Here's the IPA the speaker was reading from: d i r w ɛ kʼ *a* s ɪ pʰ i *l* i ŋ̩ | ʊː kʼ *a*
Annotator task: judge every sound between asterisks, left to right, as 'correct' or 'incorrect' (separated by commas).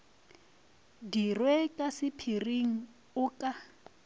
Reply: correct, incorrect, correct